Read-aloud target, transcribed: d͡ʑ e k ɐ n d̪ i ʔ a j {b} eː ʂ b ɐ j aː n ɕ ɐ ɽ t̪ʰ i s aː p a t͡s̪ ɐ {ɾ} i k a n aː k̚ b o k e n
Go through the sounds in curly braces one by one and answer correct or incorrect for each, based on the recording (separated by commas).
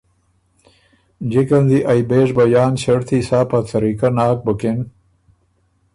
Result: correct, correct